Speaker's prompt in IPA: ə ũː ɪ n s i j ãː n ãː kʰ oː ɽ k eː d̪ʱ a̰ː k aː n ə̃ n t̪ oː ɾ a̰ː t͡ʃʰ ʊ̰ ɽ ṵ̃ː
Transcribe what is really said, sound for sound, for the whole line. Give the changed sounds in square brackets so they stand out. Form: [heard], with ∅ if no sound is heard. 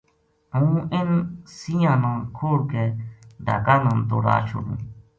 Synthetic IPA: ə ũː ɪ n s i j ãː n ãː kʰ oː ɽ k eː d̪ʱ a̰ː k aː n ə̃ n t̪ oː ɾ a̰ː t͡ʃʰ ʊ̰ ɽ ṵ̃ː